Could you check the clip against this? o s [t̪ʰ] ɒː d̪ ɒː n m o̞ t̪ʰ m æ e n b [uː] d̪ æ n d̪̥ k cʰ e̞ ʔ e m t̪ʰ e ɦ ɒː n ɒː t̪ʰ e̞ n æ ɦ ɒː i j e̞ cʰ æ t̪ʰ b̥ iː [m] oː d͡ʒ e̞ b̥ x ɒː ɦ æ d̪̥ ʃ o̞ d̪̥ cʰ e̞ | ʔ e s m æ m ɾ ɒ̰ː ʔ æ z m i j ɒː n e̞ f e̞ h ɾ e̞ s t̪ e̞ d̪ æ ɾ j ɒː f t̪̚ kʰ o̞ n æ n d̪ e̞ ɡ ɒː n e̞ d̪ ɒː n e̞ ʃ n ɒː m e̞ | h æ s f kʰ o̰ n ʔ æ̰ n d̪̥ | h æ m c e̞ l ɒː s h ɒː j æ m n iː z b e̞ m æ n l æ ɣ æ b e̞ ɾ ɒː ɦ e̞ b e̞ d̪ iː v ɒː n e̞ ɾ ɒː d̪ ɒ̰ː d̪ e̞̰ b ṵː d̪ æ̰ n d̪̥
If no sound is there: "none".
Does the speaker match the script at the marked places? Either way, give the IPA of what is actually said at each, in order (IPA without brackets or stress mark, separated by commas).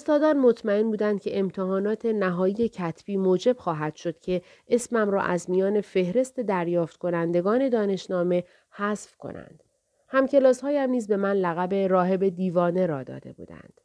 t̪, uː, m